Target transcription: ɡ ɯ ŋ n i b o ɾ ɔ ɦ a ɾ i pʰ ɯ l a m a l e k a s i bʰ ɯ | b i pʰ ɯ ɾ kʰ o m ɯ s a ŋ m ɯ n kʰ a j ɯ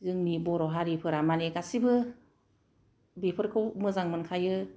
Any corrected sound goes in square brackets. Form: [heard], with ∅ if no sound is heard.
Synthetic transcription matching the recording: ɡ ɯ ŋ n i b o ɾ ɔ ɦ a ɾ i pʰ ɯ [ɾ] a m a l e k a s i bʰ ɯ | b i pʰ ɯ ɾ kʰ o m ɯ [z] a ŋ m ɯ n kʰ a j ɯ